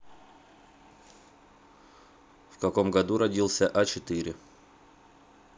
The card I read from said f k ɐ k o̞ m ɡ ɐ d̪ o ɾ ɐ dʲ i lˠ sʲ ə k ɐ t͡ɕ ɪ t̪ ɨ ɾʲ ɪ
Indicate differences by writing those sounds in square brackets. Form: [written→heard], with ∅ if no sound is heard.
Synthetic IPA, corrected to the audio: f k ɐ k o̞ m ɡ ɐ d̪ [o→u] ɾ ɐ dʲ i lˠ sʲ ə [k→ʔ] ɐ t͡ɕ ɪ t̪ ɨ ɾʲ ɪ